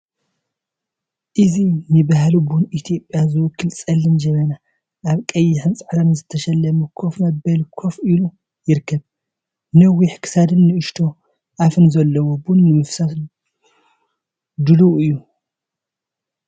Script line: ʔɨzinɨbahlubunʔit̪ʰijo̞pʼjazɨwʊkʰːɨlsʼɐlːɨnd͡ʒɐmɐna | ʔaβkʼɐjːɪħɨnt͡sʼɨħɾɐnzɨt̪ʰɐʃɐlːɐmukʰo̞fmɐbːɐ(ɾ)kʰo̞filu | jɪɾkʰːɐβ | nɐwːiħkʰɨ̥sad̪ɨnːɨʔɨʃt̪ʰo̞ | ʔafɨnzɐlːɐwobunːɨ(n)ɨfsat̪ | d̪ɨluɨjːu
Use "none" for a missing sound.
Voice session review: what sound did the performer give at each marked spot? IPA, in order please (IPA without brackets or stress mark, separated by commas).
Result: l, m